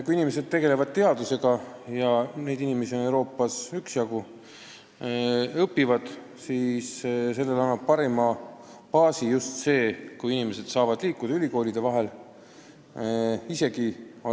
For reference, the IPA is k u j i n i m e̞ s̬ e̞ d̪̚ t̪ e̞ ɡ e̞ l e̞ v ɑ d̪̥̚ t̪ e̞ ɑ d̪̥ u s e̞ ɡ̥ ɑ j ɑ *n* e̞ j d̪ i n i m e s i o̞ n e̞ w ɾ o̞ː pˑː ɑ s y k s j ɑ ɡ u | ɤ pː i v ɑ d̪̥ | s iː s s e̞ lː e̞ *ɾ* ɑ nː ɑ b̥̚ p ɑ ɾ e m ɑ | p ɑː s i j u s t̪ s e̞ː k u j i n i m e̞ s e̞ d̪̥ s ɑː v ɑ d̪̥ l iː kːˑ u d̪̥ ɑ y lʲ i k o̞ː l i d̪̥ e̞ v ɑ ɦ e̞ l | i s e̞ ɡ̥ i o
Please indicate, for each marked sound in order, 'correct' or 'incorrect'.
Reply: correct, incorrect: l

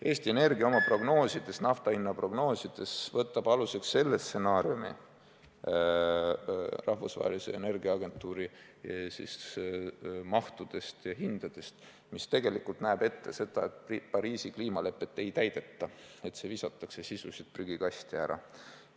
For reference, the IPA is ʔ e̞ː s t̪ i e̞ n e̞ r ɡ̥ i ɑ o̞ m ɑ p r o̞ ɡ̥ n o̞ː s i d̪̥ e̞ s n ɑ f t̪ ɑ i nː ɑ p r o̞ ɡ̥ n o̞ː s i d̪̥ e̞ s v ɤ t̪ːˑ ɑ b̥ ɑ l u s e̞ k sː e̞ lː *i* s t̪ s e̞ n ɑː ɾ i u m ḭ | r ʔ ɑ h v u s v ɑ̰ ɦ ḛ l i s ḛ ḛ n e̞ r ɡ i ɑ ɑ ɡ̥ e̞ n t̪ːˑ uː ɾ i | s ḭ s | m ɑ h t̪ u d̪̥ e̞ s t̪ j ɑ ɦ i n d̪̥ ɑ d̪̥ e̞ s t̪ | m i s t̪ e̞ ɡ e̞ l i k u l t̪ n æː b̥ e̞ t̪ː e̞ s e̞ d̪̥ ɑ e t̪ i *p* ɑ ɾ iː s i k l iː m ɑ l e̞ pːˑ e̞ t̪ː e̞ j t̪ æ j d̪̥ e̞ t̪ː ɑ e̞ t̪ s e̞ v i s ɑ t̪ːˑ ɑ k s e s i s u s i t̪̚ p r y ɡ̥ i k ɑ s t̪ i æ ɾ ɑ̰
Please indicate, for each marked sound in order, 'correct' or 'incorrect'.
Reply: incorrect: e, correct

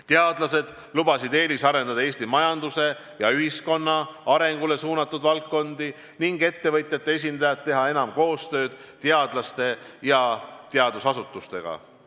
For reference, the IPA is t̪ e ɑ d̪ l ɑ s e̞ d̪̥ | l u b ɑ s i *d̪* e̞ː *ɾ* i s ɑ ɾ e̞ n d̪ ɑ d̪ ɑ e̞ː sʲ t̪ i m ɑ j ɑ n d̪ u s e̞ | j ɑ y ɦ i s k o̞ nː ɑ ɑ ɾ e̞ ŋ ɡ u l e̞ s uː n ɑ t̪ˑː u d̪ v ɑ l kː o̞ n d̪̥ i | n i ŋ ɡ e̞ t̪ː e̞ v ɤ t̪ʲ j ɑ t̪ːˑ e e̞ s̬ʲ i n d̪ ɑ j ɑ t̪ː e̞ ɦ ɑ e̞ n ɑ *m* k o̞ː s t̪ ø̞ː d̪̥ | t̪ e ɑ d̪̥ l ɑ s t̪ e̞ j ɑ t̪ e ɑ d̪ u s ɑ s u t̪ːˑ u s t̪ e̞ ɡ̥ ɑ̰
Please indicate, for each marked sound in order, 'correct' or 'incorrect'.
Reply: correct, incorrect: l, correct

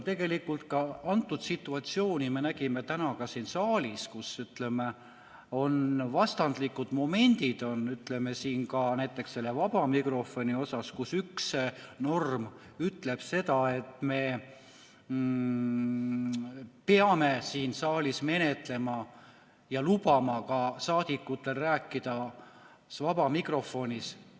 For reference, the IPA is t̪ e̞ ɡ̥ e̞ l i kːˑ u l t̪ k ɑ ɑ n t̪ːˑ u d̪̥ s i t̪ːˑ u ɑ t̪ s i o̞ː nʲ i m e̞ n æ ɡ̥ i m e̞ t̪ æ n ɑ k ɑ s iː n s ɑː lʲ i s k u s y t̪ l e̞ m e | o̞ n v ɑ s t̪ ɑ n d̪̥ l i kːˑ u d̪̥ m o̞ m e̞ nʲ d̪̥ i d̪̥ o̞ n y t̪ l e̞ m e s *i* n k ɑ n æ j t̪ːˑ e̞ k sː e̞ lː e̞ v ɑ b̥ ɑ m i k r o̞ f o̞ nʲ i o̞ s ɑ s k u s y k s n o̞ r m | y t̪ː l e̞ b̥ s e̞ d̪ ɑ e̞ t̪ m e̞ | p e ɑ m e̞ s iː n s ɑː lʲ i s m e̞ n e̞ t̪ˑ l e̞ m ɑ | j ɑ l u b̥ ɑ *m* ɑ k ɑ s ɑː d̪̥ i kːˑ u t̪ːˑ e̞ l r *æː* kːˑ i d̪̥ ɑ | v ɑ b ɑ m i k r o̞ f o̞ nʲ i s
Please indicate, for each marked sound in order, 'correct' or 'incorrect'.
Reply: incorrect: iː, correct, correct

